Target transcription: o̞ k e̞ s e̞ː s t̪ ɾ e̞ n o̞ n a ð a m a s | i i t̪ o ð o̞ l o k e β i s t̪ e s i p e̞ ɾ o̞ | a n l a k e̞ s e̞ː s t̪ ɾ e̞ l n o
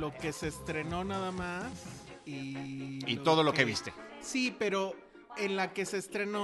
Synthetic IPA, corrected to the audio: o̞ k e̞ s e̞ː s t̪ ɾ e̞ n o̞ n a ð a m a s | i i t̪ o ð o̞ l o k e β i s t̪ e s i p e̞ ɾ o̞ | e n l a k e̞ s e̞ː s t̪ ɾ e̞ n o